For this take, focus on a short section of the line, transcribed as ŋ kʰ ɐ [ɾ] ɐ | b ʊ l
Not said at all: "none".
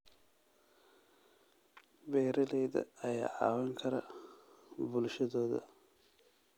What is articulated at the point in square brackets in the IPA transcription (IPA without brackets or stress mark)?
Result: ɾ